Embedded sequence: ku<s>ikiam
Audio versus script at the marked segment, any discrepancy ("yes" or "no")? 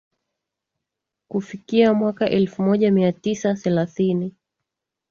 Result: yes